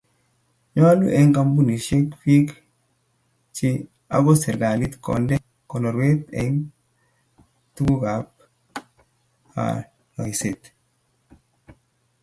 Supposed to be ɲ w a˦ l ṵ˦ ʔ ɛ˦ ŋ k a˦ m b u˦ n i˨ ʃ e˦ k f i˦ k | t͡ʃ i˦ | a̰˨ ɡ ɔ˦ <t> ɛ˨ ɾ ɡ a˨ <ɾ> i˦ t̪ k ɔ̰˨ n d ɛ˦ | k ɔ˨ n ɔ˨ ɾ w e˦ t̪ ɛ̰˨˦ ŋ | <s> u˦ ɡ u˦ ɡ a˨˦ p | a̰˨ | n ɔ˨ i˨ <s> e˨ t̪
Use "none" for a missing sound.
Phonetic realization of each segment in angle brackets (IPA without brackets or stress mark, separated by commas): s, l, t, s